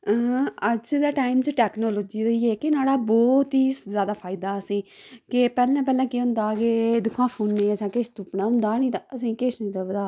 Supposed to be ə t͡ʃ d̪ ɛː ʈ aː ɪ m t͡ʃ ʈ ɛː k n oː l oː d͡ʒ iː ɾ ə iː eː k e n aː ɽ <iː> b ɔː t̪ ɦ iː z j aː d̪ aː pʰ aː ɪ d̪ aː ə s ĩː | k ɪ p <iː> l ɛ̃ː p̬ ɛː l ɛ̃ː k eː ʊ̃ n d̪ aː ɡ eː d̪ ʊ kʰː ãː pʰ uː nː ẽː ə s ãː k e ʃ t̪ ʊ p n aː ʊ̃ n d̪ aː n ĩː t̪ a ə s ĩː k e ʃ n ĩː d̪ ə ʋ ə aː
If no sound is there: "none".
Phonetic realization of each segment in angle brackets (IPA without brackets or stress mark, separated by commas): aː, ɛː